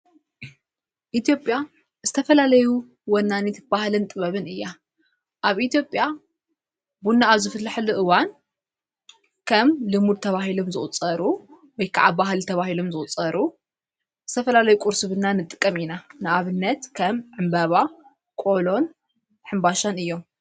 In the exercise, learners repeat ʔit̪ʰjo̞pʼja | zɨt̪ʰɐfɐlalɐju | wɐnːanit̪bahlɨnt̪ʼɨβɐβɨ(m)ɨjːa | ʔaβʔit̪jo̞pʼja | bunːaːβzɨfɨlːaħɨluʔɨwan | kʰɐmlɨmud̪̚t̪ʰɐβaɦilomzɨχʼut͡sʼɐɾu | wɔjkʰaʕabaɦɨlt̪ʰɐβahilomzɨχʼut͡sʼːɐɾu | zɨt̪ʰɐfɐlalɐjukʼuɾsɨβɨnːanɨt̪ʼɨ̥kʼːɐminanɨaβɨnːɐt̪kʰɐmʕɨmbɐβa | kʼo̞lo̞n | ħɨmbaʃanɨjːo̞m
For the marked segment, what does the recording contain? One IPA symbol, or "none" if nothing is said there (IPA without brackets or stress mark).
n